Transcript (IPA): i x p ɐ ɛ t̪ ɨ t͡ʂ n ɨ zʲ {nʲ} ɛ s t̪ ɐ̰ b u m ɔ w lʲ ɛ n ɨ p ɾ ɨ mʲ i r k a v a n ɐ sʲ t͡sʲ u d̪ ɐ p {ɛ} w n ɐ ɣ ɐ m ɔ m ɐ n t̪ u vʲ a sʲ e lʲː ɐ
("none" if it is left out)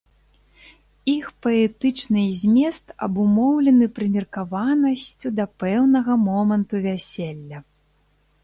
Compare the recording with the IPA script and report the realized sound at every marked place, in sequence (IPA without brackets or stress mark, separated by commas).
mʲ, ɛ